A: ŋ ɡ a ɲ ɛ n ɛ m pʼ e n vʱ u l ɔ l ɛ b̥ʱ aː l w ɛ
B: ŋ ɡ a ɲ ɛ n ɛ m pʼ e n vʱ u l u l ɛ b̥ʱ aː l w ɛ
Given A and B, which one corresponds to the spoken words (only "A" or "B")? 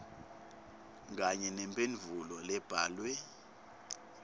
A